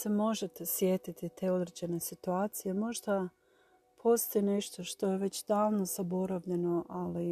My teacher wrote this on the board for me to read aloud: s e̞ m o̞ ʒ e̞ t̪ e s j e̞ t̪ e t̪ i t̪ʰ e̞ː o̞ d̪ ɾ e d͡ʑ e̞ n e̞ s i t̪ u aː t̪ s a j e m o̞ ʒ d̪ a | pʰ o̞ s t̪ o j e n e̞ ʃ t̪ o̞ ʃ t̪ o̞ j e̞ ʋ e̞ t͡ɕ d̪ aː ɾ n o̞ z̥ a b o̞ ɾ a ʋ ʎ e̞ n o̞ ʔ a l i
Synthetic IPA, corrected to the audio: s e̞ m o̞ ʒ e̞ t̪ e s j e̞ t̪ i t̪ i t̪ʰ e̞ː o̞ d̪ ɾ e d͡ʑ e̞ n e̞ s i t̪ u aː t̪ s i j e m o̞ ʒ d̪ a | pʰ o̞ s t̪ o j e n e̞ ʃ t̪ o̞ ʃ t̪ o̞ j e̞ ʋ e̞ t͡ɕ d̪ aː l n o̞ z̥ a b o̞ ɾ a ʋ ʎ e̞ n o̞ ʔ a l i